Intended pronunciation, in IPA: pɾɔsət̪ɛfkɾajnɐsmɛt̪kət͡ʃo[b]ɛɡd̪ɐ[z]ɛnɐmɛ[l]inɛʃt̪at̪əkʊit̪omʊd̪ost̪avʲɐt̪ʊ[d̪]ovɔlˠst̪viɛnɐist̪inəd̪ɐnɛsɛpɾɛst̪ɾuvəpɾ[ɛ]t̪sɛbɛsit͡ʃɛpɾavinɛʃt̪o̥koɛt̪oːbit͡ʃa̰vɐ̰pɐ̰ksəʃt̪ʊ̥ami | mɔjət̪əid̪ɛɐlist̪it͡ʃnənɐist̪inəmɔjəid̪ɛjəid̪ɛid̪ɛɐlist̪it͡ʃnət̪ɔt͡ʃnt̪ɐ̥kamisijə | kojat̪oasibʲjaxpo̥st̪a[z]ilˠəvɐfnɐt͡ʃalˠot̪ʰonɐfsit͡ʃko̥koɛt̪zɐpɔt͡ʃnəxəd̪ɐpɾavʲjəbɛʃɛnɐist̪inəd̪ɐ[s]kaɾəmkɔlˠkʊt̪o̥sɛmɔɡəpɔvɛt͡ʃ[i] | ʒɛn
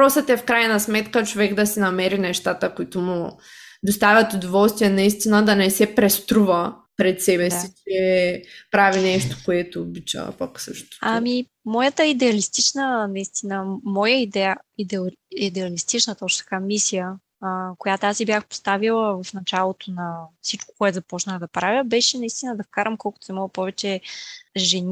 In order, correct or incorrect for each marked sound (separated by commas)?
incorrect, incorrect, incorrect, correct, correct, incorrect, incorrect, incorrect